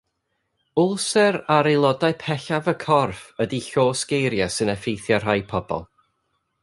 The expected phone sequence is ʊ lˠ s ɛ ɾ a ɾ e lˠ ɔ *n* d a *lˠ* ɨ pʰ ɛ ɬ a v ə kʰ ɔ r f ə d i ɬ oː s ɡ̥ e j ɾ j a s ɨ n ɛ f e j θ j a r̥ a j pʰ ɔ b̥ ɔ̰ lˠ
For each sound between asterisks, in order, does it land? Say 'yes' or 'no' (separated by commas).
no, no